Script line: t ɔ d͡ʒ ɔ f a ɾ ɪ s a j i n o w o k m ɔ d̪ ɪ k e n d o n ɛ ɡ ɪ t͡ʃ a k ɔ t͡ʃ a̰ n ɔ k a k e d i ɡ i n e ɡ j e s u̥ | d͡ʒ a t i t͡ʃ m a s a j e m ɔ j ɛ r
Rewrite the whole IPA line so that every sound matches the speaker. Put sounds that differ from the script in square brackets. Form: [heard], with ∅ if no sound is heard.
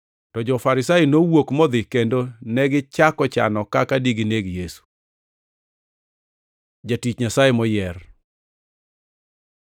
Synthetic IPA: t ɔ d͡ʒ ɔ f a ɾ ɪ s a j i n o w o k m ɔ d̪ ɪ k e n d o n ɛ ɡ ɪ t͡ʃ a k ɔ t͡ʃ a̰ n ɔ k a k [a] d i ɡ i n e ɡ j e s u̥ | d͡ʒ a t i t͡ʃ [ɲ] a s a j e m ɔ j ɛ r